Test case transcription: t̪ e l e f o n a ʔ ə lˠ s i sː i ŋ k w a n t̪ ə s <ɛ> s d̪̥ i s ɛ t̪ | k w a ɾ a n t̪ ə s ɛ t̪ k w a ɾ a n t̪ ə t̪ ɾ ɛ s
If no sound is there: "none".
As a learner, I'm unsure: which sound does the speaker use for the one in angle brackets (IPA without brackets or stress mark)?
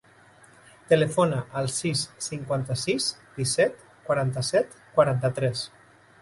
i